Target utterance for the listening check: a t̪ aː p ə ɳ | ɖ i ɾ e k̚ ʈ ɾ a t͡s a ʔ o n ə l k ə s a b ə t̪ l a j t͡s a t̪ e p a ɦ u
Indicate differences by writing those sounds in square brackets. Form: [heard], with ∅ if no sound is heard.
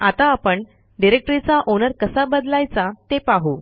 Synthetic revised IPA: a t̪ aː p ə ɳ | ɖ i ɾ e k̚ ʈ ɾ [i] t͡s a ʔ o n ə [ɾ] k ə s a b ə [d̪] l a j t͡s a t̪ e p a ɦ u

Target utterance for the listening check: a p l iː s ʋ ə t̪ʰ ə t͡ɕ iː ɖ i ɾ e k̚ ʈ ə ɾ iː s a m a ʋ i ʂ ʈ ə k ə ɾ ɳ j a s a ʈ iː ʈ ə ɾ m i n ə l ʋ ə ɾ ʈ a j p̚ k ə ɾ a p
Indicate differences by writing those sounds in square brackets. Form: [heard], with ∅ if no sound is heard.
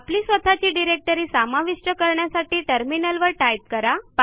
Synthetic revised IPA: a p l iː s ʋ ə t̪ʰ [a] t͡ɕ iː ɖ i ɾ e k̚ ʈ ə ɾ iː s a m a ʋ i ʂ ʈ ə k ə ɾ ɳ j a s a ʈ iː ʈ ə ɾ m i n ə l ʋ ə ɾ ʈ a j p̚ k ə ɾ a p

